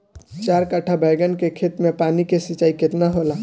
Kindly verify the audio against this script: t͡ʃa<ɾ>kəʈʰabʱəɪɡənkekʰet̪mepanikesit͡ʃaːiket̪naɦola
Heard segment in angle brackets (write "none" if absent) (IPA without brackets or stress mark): ɾ